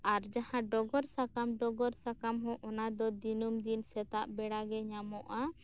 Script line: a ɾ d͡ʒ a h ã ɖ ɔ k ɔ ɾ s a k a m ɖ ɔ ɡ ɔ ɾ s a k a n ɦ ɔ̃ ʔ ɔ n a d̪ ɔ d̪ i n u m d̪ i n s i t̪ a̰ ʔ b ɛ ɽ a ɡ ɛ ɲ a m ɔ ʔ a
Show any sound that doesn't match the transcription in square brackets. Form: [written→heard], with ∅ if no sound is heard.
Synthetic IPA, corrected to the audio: a ɾ d͡ʒ a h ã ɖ ɔ [k→ɡ] ɔ ɾ s a k a m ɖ ɔ ɡ ɔ ɾ s a k a [n→m] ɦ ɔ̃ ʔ ɔ n a d̪ ɔ d̪ i n u m d̪ i n s [i→ɛ] t̪ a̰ ʔ b ɛ ɽ a ɡ ɛ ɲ a m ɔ ʔ a